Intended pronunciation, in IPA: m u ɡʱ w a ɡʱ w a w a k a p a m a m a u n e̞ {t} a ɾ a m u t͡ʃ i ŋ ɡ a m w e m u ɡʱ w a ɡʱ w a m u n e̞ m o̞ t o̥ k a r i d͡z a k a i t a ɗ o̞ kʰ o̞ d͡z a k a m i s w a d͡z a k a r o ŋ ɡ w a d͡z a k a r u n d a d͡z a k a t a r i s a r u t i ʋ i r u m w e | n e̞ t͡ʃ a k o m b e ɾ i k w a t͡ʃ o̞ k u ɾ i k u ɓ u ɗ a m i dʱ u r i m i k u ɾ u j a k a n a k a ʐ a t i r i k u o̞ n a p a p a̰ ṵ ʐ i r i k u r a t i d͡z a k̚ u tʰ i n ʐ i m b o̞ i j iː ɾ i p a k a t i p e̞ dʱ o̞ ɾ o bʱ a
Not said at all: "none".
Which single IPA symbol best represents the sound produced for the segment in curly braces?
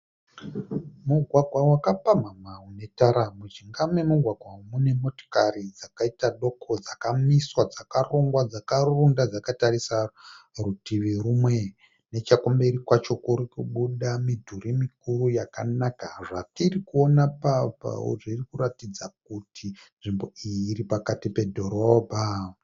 t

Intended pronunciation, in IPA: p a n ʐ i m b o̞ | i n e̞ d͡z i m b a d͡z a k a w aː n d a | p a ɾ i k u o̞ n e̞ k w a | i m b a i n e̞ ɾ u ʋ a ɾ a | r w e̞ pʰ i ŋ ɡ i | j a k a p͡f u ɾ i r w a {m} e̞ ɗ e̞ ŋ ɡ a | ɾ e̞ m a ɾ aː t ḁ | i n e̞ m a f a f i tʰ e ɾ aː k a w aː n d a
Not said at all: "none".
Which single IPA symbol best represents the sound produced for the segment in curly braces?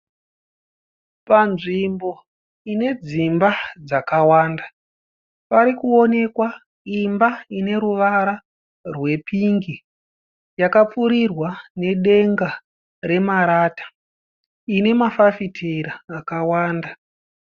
n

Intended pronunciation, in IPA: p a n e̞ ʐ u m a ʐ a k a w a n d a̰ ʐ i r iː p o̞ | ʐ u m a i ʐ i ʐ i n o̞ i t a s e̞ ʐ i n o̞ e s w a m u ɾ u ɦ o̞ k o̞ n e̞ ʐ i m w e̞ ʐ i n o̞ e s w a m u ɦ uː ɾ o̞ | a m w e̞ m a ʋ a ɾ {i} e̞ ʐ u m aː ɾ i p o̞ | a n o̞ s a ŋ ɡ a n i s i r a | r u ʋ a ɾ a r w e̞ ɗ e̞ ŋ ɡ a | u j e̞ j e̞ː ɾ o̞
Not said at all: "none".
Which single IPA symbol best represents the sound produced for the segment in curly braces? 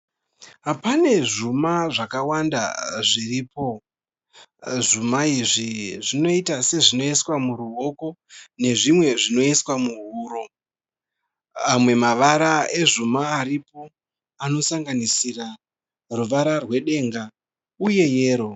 a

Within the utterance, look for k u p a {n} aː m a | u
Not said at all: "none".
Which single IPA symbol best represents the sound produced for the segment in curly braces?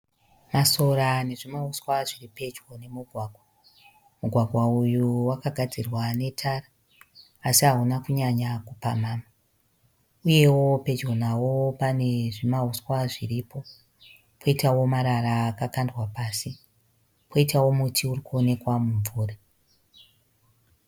m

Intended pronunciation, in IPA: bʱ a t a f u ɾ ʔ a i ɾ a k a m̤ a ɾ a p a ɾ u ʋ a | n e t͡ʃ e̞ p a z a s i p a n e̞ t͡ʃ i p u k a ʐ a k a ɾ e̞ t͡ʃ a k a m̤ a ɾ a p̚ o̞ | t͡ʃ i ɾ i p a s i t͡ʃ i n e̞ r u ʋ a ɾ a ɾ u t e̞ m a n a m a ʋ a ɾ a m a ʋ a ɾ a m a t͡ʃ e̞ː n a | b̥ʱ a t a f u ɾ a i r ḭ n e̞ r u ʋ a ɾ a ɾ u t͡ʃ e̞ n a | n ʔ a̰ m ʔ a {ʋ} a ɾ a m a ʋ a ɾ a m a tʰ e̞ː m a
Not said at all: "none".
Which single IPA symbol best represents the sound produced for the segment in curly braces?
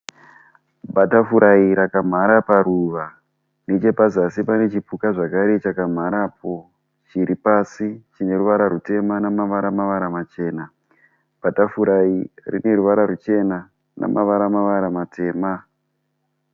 ʋ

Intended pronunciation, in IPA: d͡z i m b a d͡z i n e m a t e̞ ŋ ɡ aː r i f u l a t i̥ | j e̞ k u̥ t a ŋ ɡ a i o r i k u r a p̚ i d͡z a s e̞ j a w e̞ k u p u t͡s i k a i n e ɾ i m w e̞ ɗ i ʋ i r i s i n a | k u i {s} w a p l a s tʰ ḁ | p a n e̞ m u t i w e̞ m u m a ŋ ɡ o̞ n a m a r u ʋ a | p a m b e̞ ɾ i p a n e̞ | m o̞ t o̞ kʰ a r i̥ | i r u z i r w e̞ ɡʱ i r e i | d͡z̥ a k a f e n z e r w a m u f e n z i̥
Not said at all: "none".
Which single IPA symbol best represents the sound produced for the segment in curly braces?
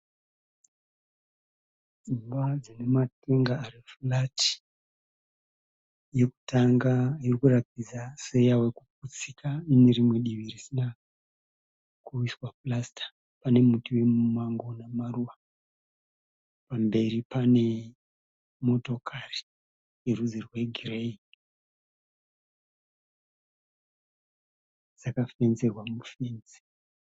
s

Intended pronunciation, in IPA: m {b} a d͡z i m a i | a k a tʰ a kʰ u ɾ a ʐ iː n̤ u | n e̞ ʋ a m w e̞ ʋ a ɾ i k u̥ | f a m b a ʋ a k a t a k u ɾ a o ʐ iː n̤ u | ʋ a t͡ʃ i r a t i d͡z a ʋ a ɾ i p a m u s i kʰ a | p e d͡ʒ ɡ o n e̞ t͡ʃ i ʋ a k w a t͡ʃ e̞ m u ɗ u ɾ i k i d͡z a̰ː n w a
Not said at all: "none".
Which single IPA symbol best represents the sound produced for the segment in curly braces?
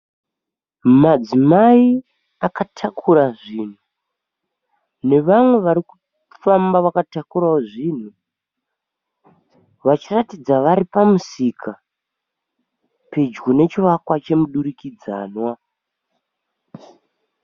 m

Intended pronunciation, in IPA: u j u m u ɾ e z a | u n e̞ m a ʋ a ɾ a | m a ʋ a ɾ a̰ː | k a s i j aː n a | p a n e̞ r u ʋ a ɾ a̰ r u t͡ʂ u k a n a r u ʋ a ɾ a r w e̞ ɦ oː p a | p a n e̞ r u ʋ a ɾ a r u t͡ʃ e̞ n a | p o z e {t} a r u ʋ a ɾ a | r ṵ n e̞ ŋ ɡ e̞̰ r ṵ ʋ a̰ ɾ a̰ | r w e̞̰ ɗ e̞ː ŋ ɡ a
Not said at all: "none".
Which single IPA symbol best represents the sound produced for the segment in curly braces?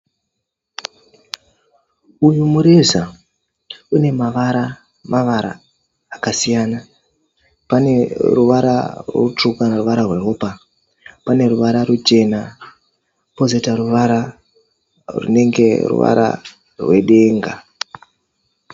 t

